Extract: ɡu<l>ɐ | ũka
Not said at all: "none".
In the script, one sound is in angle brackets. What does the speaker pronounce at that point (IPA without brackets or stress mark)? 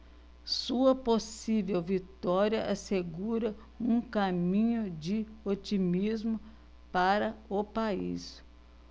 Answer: ɾ